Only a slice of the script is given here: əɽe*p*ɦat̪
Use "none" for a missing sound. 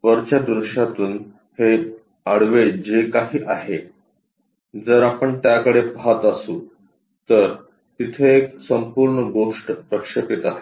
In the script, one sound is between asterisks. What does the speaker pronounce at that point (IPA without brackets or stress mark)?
p